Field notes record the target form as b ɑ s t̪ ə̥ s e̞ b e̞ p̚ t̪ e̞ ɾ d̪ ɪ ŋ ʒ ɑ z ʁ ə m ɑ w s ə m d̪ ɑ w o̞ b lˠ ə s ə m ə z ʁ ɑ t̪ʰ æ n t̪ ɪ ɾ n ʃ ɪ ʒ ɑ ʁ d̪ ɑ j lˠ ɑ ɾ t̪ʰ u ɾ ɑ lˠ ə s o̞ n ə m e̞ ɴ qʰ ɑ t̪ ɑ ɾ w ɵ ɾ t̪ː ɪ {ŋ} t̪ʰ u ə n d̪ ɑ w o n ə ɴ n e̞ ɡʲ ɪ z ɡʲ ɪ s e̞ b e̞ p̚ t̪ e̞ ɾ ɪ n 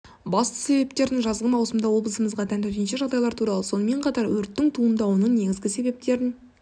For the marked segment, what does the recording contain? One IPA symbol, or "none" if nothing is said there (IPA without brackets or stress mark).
ŋ